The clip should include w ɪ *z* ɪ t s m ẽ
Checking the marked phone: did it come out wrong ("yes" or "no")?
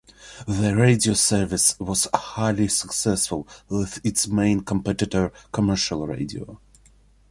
yes